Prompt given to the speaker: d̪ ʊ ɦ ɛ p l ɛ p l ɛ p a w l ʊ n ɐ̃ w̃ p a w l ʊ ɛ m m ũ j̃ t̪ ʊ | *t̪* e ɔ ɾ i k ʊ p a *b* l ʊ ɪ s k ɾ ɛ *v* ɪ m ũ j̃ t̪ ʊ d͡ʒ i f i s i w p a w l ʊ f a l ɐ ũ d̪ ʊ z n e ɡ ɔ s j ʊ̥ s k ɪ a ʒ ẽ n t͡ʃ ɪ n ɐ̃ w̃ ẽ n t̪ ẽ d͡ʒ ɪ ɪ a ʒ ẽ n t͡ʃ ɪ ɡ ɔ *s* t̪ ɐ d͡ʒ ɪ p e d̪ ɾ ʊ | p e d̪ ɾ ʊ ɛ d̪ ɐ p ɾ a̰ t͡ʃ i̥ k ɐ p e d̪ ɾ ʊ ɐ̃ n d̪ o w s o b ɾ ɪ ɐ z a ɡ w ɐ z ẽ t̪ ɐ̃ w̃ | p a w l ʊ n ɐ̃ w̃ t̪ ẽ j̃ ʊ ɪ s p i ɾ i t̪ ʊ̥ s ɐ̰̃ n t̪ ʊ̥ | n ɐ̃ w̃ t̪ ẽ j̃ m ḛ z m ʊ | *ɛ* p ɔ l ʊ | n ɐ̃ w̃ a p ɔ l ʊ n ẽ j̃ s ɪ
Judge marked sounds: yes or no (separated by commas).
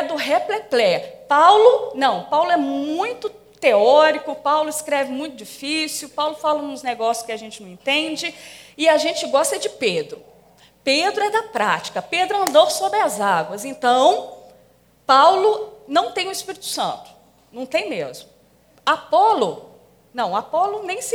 yes, no, yes, yes, no